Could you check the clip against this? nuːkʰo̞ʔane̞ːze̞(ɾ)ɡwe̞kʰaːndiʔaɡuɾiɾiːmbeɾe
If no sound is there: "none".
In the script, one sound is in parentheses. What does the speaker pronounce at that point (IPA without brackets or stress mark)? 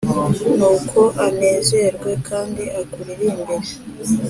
ɾ